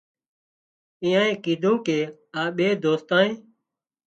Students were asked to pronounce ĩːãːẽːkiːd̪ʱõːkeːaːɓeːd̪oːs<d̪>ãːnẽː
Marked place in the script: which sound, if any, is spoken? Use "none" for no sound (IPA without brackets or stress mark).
t̪